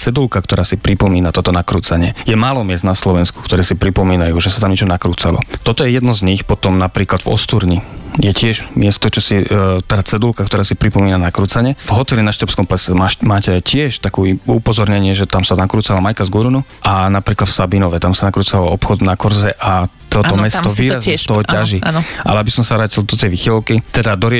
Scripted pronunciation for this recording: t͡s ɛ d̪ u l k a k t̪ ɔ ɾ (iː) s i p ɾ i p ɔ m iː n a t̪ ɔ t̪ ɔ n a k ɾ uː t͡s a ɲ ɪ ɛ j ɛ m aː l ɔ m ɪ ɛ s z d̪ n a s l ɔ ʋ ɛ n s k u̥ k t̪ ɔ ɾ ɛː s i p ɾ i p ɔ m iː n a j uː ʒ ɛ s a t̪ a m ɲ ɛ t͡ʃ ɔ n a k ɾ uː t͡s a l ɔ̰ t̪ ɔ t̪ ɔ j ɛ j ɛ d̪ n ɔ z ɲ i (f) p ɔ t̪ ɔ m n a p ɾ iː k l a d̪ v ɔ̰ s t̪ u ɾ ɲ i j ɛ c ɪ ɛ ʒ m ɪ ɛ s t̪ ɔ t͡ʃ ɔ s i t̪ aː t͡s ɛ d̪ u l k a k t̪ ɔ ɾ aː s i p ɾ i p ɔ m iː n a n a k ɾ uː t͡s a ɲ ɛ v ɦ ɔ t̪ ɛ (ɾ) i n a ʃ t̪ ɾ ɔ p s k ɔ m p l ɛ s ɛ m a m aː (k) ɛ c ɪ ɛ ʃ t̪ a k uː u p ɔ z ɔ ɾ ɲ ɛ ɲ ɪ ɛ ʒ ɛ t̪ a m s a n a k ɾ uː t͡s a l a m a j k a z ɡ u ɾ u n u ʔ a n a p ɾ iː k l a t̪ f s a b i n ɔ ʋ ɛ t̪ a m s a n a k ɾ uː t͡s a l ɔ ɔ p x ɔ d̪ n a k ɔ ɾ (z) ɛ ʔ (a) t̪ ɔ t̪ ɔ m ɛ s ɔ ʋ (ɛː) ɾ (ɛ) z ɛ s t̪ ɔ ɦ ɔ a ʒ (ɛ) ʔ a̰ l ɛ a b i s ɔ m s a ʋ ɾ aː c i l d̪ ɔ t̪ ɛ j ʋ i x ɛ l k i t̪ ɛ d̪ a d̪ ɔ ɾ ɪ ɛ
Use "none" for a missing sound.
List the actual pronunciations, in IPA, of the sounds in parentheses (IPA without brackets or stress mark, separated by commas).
aː, x, l, c, z, a, iː, a, i